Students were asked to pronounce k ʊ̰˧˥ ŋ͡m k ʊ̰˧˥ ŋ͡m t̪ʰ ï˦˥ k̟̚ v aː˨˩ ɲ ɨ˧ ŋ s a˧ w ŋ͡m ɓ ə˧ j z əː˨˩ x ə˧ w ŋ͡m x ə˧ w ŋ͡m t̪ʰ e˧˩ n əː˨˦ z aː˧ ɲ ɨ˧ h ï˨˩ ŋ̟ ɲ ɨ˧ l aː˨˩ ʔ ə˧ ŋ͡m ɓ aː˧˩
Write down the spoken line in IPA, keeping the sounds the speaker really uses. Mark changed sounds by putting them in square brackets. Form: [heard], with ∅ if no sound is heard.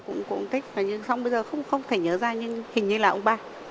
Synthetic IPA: k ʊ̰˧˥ ŋ͡m k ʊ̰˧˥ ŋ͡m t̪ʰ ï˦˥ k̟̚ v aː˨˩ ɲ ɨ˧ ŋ s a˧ w ŋ͡m ɓ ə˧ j z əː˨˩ x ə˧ w ŋ͡m x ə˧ w ŋ͡m t̪ʰ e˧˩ [ɲ] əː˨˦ z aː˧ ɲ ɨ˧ h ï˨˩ ŋ̟ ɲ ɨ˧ l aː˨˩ ʔ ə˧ ŋ͡m ɓ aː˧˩

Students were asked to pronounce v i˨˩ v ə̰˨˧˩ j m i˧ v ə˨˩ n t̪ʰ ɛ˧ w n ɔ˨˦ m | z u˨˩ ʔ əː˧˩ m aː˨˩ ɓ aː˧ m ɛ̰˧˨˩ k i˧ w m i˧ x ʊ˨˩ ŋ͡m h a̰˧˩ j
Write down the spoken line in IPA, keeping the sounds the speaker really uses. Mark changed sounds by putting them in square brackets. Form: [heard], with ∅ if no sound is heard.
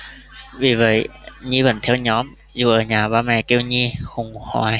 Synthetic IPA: v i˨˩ v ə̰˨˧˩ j [ɲ] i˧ v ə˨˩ n t̪ʰ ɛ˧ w [ɲ] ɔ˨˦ m | z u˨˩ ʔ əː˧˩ [ɲ] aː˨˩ ɓ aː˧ m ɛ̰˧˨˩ k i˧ w [ɲ] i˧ x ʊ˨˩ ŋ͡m h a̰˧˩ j

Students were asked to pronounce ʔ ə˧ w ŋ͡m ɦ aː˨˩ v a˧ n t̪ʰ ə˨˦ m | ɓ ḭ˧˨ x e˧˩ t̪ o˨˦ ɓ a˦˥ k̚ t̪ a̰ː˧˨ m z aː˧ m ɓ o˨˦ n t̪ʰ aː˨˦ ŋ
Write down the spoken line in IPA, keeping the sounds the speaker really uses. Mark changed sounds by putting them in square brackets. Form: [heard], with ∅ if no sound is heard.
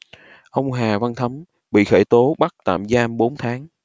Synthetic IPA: ʔ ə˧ w ŋ͡m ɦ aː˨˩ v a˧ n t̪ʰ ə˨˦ m | ɓ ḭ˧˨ x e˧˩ t̪ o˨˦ ɓ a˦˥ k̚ t̪ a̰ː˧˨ m z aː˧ m ɓ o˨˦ n t̪ʰ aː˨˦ ŋ

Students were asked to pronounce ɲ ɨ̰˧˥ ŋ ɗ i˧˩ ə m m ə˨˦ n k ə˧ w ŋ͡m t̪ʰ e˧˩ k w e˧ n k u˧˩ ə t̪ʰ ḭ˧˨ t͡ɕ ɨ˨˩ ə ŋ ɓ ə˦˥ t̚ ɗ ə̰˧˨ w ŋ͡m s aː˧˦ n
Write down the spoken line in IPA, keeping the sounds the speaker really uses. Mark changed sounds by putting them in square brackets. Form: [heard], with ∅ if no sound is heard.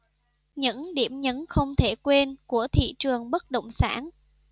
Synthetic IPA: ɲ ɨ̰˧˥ ŋ ɗ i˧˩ ə m [ɲ] ə˨˦ n [x] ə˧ w ŋ͡m t̪ʰ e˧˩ k w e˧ n k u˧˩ ə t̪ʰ ḭ˧˨ t͡ɕ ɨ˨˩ ə ŋ ɓ ə˦˥ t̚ ɗ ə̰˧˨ w ŋ͡m s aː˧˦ n

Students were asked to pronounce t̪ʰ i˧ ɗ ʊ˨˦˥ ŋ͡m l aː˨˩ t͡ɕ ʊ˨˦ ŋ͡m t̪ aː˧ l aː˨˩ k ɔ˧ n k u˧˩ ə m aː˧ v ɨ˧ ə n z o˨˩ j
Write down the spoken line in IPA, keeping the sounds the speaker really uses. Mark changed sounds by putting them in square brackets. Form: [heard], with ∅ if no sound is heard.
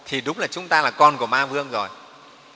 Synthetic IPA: t̪ʰ [i˨˩] ɗ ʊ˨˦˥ ŋ͡m l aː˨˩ t͡ɕ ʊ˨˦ ŋ͡m t̪ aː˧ l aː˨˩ k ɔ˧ n k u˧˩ ə m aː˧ v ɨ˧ ə [ŋ] z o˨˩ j

